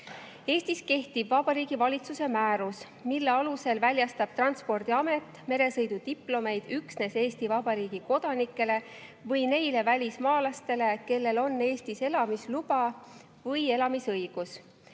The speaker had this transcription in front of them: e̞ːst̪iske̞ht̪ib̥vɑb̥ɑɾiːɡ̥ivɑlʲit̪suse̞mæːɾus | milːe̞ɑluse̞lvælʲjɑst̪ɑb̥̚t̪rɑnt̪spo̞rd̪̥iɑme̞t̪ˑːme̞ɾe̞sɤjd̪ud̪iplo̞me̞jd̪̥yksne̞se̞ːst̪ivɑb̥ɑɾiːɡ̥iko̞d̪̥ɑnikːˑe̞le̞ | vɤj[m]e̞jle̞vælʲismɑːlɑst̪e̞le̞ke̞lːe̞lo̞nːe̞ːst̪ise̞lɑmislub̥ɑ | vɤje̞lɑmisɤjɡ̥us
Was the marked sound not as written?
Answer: yes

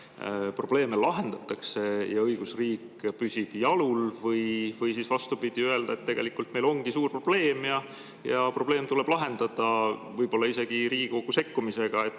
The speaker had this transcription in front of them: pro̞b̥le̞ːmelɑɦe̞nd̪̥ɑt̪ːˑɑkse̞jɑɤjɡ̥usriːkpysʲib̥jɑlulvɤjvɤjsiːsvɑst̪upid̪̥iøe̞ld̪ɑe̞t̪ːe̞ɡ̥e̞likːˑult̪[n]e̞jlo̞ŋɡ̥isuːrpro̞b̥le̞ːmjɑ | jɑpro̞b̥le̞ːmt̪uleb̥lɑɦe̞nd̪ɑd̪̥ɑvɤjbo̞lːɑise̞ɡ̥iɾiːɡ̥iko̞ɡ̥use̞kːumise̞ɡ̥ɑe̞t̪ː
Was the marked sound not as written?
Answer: yes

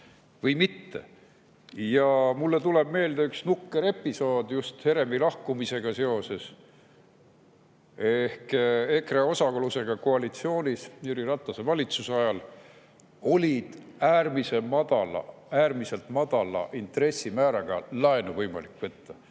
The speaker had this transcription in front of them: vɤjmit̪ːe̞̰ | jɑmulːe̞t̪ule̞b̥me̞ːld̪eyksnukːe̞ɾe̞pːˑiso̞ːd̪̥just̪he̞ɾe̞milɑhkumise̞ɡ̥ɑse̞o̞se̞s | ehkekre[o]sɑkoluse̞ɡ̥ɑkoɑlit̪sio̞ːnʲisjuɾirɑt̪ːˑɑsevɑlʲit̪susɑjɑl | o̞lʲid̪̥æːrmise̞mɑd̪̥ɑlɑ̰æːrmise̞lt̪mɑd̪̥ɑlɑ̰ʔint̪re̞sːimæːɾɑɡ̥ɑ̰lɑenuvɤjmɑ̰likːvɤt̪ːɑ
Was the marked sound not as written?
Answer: no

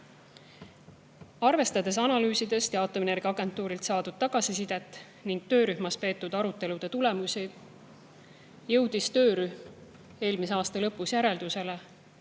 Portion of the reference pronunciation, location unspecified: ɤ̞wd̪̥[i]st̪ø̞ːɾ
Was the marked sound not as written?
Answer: no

